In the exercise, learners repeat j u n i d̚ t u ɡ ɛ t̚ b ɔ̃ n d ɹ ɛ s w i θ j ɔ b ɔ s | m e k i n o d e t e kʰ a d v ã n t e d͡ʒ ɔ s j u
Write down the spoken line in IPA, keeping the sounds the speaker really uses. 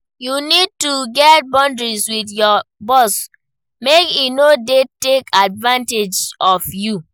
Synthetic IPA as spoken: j u n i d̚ t u ɡ ɛ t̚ b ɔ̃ n d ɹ i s w i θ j ɔ b ɔ s | m e k i n o d e t e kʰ a d v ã n t e d͡ʒ ɔ f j u